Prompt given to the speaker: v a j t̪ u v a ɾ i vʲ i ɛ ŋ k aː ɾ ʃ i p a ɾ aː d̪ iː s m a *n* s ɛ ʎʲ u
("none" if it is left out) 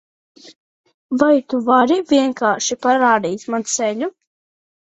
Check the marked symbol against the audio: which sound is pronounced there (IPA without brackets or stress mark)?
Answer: n